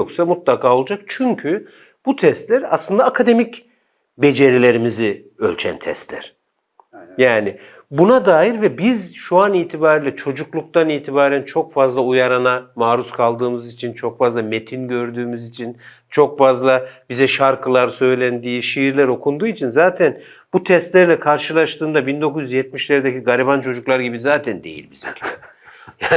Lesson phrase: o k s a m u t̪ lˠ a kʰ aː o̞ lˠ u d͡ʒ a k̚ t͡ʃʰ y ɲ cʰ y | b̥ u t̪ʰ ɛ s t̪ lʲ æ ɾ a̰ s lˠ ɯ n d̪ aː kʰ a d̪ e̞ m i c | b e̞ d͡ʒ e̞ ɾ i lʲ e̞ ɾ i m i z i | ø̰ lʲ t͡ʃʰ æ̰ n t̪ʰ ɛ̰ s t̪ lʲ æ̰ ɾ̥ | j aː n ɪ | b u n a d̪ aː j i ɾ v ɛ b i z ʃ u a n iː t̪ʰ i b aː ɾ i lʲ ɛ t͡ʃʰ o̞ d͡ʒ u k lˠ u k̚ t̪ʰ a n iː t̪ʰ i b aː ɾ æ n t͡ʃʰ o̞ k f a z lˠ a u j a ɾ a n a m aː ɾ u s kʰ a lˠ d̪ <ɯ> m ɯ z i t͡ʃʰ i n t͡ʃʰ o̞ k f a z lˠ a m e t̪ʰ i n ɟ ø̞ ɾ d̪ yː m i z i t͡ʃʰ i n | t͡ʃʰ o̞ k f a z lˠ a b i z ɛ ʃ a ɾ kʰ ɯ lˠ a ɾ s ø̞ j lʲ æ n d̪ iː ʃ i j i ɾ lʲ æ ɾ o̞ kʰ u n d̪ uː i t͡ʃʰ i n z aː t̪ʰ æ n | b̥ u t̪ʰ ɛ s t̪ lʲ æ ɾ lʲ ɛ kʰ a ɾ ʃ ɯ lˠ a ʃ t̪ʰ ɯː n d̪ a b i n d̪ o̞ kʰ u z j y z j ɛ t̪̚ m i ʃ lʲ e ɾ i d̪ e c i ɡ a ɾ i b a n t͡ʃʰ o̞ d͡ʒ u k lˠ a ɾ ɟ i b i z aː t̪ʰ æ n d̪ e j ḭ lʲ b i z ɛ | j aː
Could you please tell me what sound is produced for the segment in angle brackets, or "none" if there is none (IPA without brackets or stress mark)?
ɯː